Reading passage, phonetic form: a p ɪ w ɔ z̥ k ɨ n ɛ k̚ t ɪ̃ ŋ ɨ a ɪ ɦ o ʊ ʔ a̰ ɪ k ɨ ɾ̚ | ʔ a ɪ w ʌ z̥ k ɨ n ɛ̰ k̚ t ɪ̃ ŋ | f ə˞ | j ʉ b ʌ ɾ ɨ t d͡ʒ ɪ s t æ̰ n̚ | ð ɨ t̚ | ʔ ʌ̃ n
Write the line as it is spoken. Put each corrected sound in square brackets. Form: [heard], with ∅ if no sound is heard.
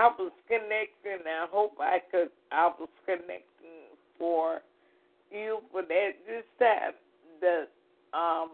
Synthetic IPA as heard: a [∅] ɪ w [ʌ] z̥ k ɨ n ɛ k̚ t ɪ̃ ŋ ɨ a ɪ ɦ o ʊ [p] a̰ ɪ k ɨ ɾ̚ | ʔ a ɪ w ʌ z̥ k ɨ n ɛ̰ k̚ t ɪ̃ ŋ | f ə˞ | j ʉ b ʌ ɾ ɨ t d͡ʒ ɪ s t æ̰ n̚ | ð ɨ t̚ | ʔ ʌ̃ [m]